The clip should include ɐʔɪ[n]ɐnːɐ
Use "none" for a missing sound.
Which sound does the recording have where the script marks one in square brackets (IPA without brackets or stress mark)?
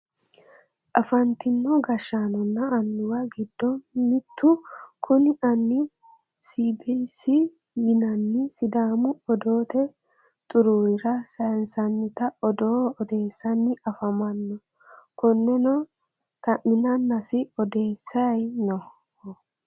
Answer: n